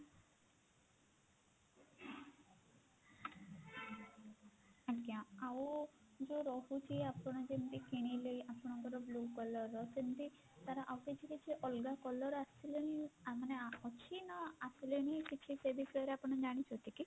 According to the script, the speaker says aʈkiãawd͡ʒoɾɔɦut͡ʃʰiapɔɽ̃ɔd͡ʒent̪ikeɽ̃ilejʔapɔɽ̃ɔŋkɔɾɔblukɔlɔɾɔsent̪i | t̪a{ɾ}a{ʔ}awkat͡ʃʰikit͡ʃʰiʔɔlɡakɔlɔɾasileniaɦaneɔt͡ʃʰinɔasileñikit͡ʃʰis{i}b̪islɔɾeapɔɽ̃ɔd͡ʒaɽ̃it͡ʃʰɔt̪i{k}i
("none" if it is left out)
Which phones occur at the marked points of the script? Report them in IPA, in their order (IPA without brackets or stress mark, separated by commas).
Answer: ɾ, ʔ, e, k